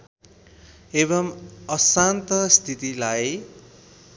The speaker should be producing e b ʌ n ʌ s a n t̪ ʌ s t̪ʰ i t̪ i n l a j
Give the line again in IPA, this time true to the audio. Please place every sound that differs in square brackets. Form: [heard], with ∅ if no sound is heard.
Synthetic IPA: e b ʌ [m] ʌ s a n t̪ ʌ s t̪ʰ i t̪ i [∅] l a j